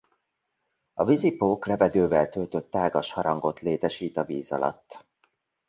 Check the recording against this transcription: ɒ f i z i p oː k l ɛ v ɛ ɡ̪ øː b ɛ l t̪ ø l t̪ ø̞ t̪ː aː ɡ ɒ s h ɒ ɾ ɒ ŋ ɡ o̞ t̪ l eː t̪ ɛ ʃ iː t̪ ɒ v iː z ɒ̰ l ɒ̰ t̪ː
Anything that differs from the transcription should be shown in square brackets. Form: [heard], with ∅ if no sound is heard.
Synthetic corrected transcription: ɒ [v] i z i p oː k l ɛ v ɛ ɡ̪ øː [v] ɛ l t̪ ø l t̪ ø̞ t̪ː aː ɡ ɒ [ʃ] h ɒ ɾ ɒ ŋ ɡ o̞ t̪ l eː t̪ ɛ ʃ iː t̪ ɒ v iː z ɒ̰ l ɒ̰ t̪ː